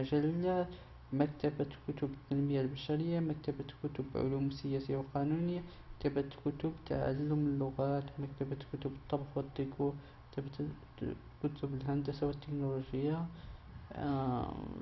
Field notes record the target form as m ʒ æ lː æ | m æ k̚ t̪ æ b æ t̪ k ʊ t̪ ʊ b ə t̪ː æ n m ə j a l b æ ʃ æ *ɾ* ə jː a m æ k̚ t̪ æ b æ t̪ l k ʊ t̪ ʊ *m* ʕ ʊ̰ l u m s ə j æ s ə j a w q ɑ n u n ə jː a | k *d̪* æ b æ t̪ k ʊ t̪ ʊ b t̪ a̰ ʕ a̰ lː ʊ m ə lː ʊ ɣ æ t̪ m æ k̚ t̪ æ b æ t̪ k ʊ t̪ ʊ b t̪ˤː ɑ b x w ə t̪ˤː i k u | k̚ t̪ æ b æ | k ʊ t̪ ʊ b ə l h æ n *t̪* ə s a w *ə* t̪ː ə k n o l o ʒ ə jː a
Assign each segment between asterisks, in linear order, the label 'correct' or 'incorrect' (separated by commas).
correct, incorrect, incorrect, incorrect, correct